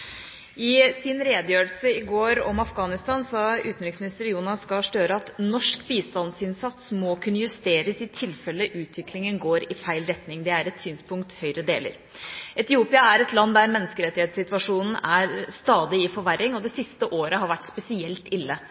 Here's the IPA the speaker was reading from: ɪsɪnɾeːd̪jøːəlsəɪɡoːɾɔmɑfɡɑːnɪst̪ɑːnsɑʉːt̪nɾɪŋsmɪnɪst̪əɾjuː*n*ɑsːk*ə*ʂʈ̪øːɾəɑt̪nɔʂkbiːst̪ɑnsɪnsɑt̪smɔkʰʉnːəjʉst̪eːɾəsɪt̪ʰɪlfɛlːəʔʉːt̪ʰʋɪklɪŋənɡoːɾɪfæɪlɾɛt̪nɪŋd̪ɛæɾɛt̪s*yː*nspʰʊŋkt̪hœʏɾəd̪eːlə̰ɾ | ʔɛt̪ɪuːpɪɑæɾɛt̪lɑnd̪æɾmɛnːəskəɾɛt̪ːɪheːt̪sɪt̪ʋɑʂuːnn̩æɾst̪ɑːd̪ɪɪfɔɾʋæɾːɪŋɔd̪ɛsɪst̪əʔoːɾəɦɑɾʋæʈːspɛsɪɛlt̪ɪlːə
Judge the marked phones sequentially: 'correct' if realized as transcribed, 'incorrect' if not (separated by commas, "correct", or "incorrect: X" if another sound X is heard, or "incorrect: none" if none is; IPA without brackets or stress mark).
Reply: correct, incorrect: ɑ, correct